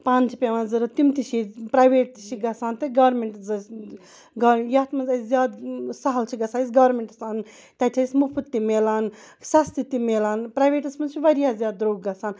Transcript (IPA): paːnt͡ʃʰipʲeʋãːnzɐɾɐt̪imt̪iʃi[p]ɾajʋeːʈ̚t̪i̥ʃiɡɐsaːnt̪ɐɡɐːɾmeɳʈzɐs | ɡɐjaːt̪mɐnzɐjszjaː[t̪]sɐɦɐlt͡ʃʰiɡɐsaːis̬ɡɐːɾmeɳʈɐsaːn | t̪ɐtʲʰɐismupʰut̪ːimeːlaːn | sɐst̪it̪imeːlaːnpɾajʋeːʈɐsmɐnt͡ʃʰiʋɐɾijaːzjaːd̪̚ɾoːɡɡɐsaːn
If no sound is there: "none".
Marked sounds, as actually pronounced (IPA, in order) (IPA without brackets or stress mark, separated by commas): p, d̪